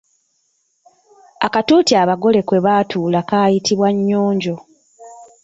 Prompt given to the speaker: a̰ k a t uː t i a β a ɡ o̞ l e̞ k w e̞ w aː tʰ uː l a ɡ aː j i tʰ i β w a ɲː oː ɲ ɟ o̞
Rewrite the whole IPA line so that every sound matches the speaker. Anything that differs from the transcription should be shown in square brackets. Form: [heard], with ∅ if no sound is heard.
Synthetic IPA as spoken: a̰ k a t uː t i a β a ɡ o̞ l e̞ k w e̞ [β] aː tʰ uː l a [k] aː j i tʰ i β w a ɲː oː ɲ ɟ o̞